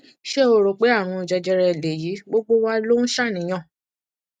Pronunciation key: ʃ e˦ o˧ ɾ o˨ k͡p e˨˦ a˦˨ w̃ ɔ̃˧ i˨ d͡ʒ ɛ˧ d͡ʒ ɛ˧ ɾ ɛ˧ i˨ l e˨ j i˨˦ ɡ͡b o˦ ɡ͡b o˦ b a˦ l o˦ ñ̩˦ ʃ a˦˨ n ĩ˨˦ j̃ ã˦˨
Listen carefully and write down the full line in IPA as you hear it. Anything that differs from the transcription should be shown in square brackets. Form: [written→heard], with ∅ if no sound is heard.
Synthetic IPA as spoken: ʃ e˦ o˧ ɾ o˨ k͡p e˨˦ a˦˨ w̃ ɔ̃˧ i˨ d͡ʒ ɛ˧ d͡ʒ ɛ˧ ɾ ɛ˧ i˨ l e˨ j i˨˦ ɡ͡b o˦ ɡ͡b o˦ [b→w] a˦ l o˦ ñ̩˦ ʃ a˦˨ n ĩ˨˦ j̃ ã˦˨